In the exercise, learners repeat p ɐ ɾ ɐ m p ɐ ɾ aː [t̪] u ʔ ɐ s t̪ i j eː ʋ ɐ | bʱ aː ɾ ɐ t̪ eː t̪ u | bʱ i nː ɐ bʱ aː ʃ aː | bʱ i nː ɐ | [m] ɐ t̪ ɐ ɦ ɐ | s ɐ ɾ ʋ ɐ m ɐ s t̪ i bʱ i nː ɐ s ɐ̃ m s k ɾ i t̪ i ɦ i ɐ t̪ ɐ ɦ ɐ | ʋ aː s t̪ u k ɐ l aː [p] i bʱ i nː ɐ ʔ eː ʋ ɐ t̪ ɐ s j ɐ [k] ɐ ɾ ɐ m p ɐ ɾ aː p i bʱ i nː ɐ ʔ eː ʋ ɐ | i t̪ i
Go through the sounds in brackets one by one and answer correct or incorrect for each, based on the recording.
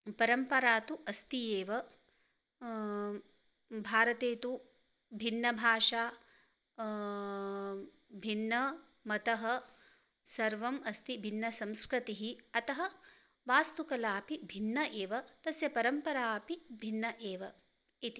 correct, correct, correct, incorrect: p

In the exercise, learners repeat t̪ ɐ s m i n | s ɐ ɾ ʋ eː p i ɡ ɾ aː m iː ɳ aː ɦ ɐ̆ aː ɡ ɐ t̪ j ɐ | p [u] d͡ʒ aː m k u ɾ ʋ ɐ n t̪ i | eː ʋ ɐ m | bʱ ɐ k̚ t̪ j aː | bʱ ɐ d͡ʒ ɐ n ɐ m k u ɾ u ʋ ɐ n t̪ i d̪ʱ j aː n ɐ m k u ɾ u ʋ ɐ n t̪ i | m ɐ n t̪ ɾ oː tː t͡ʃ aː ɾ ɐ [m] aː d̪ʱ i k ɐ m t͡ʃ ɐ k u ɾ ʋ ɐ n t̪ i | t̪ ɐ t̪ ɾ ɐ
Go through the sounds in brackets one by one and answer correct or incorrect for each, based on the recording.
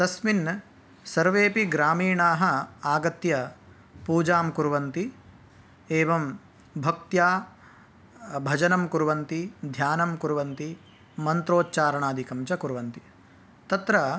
incorrect: uː, incorrect: ɳ

